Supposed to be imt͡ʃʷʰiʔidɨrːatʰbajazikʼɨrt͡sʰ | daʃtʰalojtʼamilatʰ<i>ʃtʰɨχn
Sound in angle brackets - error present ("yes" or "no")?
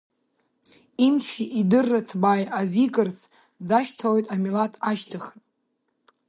yes